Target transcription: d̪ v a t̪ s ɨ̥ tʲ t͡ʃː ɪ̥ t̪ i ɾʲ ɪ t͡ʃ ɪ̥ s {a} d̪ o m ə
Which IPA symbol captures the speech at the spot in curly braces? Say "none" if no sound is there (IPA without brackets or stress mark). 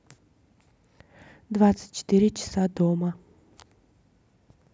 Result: a